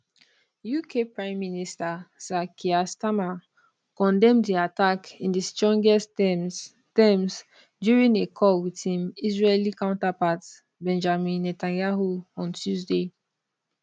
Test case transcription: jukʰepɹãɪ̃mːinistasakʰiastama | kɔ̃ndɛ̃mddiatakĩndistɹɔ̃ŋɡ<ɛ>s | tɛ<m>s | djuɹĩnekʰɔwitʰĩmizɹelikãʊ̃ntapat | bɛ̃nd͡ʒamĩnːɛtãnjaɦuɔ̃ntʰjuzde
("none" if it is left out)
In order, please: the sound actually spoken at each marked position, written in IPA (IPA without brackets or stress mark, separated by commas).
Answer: ɛ, m